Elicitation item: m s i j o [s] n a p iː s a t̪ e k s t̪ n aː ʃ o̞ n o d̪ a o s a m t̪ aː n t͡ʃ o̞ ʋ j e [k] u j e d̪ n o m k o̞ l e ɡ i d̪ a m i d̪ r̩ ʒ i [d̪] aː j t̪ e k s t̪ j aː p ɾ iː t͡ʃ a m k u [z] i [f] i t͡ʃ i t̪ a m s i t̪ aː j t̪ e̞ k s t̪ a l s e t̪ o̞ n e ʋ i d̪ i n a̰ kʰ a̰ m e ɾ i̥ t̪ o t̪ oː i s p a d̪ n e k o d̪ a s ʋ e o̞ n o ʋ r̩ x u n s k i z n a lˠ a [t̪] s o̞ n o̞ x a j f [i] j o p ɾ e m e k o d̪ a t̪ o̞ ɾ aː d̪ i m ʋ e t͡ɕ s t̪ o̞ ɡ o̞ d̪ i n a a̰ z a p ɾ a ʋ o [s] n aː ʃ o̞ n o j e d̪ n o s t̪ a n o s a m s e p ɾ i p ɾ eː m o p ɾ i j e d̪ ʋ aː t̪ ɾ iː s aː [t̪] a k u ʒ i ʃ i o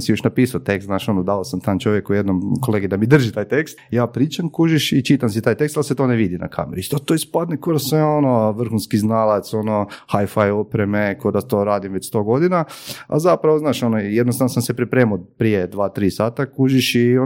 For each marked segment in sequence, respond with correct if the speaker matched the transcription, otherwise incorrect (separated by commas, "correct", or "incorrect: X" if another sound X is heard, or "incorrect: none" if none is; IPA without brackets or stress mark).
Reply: incorrect: ʃ, correct, incorrect: t̪, incorrect: ʒ, incorrect: ʃ, correct, incorrect: a, incorrect: z, correct